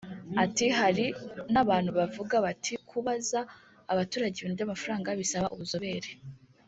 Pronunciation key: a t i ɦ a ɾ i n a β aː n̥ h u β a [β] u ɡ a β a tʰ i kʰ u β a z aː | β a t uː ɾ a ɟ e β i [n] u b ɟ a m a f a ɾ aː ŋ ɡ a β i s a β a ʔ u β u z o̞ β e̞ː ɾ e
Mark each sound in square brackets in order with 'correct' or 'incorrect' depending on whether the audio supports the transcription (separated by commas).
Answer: incorrect, correct